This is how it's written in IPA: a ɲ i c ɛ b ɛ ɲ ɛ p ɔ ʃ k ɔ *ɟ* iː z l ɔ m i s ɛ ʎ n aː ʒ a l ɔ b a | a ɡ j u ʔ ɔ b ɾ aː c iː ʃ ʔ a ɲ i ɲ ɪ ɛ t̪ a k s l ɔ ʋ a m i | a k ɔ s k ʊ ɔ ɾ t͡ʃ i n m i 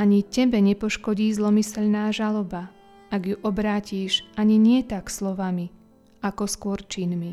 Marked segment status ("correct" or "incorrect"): correct